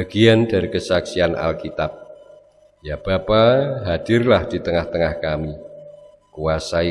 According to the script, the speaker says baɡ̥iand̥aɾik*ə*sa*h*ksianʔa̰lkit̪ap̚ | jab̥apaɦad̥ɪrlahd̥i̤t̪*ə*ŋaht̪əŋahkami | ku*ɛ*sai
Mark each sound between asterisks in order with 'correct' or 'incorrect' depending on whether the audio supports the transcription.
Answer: correct, incorrect: none, correct, incorrect: a

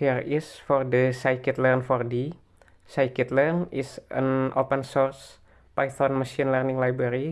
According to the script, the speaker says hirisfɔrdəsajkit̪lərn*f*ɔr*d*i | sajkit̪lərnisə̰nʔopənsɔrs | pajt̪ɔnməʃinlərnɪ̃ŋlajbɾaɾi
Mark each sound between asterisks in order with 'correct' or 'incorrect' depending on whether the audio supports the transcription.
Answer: correct, correct

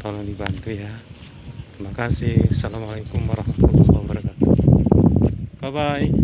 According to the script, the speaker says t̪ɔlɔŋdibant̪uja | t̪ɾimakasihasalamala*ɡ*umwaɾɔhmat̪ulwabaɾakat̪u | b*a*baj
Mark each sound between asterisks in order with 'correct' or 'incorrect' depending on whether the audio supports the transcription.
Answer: incorrect: k, correct

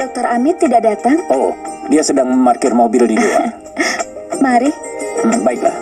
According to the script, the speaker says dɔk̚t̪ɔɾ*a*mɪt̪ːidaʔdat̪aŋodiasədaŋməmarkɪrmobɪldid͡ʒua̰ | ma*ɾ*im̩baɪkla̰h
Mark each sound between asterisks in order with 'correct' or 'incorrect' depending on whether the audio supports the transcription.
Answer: correct, correct

